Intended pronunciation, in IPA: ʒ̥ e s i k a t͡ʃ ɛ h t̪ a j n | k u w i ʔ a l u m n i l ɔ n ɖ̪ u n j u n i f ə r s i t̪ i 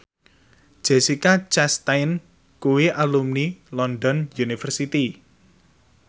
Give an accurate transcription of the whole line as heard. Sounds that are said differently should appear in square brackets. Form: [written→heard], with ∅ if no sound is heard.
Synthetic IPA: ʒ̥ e s i k a t͡ʃ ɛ [h→s] t̪ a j n | k u w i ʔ a l u m n i l ɔ n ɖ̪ [u→ɔ] n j u n i f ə r s i t̪ i